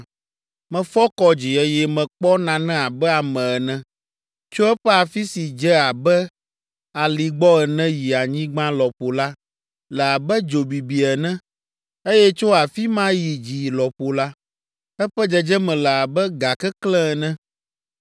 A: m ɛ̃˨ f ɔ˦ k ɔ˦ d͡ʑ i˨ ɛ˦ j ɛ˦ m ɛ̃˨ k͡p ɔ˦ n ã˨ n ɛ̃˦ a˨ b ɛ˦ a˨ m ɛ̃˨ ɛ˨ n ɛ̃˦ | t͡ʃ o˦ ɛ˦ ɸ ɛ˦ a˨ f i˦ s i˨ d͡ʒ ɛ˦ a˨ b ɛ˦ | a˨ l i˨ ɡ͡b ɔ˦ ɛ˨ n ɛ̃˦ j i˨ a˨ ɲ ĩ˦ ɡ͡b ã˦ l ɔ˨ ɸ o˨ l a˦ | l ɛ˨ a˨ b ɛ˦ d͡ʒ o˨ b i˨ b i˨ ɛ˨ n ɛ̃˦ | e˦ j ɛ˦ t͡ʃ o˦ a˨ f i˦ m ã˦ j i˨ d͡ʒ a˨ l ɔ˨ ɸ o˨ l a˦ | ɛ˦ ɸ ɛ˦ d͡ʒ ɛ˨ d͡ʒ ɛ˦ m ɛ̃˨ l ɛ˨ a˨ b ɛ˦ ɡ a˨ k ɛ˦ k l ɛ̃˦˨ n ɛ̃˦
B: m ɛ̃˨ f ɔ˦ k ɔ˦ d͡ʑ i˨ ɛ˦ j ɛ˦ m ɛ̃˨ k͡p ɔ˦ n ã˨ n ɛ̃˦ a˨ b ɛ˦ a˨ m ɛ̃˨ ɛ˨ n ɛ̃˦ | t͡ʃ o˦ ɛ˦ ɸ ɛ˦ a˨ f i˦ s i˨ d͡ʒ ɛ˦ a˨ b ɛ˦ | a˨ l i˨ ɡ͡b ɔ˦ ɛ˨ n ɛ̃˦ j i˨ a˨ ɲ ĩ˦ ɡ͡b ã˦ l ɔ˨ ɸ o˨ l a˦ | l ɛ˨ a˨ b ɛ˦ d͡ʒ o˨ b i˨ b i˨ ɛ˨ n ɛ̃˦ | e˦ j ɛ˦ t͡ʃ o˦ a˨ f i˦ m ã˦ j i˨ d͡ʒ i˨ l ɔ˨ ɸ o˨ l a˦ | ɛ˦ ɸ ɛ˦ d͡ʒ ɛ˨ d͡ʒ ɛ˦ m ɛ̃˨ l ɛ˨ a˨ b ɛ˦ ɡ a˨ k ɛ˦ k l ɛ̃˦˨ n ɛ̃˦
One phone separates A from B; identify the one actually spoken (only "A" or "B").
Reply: B